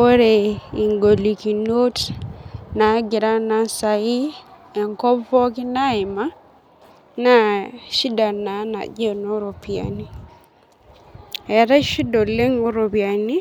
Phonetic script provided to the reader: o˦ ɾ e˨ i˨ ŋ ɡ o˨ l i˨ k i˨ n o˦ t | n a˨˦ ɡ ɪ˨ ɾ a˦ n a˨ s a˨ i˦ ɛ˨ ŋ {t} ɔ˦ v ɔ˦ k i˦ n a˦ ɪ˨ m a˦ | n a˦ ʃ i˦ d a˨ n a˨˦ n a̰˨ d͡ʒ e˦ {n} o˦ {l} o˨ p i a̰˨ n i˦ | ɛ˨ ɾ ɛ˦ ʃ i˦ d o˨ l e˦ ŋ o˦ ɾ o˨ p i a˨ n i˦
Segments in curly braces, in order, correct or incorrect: incorrect: k, correct, incorrect: ɾ

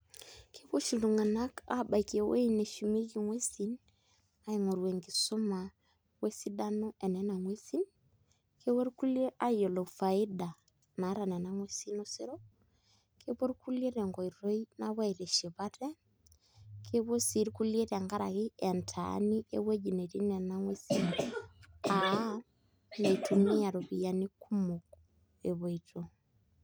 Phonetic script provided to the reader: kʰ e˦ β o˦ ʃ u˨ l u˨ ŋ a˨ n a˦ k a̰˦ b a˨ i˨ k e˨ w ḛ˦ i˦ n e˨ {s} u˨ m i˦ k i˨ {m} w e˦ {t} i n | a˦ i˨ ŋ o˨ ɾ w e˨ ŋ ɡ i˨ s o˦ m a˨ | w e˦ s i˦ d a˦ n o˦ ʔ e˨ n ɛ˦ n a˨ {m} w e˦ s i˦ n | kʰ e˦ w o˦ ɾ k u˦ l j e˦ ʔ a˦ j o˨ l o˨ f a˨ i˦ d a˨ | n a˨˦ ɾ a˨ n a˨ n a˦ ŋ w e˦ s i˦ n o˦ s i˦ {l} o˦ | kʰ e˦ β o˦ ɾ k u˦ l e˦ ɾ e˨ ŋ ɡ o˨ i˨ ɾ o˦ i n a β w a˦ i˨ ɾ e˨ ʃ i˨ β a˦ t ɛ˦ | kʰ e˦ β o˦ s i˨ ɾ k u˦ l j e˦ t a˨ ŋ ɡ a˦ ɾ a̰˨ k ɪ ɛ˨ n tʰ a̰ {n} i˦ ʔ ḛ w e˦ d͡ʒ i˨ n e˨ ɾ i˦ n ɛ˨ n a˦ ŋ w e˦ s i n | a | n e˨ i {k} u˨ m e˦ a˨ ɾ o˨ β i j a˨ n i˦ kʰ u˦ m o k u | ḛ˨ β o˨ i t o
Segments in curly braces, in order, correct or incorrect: incorrect: ʃ, incorrect: ŋ, incorrect: s, incorrect: ŋ, incorrect: ɾ, correct, incorrect: t

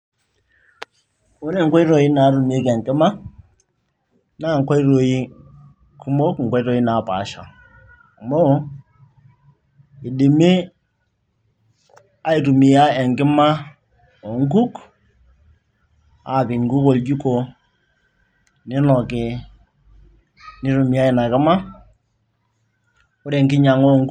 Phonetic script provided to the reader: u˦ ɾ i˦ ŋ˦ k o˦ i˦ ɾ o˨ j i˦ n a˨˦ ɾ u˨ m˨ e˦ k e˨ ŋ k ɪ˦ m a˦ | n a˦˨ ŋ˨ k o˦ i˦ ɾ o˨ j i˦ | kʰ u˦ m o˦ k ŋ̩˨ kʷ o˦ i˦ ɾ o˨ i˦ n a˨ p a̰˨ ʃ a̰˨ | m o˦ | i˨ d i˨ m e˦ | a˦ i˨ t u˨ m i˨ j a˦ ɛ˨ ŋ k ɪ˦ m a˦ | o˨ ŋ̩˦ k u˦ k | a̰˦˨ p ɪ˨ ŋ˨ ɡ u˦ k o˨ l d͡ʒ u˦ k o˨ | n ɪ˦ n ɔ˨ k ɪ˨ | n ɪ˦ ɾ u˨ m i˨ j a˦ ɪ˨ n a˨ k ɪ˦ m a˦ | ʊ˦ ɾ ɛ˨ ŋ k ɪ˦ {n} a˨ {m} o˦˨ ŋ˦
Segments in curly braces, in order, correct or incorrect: incorrect: ɲ, incorrect: ŋ

